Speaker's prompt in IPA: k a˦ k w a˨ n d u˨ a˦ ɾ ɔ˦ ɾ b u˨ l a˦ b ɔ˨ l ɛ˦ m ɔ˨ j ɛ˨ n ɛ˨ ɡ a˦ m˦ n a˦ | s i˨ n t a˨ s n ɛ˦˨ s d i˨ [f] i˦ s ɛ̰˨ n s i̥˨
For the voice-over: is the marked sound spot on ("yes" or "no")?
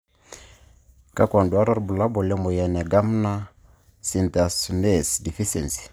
yes